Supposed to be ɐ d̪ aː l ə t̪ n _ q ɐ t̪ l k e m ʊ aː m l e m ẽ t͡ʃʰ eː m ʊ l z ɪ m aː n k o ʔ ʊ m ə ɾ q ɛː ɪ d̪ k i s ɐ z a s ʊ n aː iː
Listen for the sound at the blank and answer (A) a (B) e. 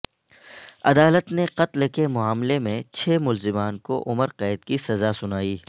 B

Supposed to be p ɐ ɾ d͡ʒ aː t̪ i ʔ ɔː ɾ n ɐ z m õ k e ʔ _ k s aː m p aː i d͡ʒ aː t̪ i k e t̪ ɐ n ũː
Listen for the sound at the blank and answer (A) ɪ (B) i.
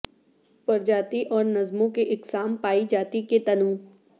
A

